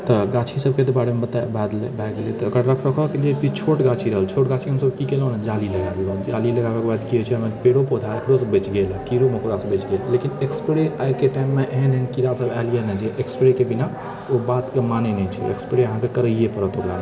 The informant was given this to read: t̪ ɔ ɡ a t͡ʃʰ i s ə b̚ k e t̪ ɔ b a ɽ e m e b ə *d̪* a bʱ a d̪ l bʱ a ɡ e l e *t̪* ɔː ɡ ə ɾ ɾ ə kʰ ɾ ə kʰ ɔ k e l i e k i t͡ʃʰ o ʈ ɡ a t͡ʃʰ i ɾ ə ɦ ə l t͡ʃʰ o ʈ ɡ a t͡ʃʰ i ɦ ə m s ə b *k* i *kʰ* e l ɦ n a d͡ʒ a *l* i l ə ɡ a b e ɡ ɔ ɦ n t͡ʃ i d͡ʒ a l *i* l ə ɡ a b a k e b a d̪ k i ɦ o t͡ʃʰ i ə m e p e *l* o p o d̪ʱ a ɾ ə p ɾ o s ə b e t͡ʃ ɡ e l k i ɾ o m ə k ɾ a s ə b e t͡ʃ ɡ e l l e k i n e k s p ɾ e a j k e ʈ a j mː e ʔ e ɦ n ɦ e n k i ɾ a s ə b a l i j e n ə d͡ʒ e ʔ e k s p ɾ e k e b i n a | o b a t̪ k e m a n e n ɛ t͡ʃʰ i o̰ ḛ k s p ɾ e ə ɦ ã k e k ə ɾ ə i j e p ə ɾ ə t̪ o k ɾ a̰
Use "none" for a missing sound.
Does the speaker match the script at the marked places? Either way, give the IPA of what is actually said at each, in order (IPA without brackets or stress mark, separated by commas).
t̪, t̪, k, k, l, i, ɽ